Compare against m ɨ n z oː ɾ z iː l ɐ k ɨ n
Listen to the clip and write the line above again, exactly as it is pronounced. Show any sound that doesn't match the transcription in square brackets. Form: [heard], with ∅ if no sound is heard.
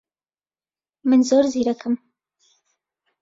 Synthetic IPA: m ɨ n z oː ɾ z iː [ɾ] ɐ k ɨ [m]